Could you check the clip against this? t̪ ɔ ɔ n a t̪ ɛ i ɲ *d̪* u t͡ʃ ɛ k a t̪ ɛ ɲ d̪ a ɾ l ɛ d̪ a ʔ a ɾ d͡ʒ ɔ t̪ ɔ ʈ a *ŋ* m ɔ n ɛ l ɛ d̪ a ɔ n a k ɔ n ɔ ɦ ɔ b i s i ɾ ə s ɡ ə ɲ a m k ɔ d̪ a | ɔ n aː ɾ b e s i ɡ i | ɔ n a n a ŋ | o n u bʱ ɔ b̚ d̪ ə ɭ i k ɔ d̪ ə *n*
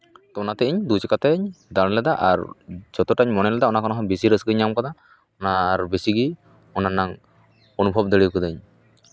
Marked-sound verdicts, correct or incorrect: correct, incorrect, incorrect

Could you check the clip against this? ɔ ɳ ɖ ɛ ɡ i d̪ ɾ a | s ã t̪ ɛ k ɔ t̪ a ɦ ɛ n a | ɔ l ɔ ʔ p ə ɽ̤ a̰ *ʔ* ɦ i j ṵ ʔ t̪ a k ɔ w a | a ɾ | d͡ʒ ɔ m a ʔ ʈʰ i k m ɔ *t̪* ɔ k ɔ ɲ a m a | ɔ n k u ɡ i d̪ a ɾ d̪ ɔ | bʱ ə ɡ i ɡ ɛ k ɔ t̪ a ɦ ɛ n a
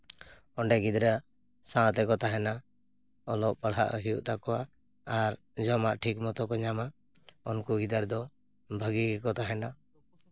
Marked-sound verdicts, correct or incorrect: correct, correct

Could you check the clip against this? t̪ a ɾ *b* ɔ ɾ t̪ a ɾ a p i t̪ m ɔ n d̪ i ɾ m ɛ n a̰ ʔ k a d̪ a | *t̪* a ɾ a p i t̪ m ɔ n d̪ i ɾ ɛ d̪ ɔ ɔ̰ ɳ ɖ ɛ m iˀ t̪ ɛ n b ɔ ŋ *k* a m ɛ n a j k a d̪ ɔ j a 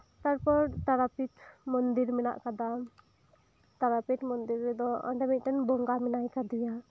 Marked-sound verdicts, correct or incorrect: incorrect, correct, incorrect

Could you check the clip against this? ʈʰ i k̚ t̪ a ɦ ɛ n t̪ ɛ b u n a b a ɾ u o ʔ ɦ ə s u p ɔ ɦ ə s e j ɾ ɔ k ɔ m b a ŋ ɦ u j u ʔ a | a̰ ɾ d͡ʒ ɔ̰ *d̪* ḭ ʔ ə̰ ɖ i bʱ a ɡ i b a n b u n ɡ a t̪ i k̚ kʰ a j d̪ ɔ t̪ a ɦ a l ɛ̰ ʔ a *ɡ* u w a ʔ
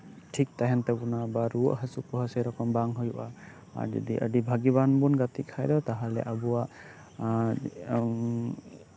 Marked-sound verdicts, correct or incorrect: correct, incorrect

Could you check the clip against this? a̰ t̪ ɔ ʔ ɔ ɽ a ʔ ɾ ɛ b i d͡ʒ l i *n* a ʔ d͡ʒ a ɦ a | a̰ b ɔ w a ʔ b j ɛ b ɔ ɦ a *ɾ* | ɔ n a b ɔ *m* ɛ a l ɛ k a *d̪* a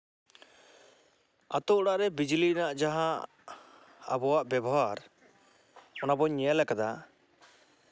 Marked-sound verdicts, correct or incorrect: correct, correct, incorrect, correct

